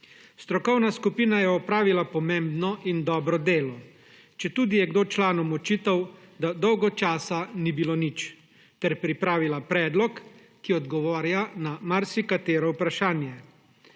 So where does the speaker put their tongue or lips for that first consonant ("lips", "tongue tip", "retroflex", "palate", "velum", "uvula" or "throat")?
tongue tip